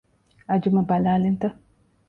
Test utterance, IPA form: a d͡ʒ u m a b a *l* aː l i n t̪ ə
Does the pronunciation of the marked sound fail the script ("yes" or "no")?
no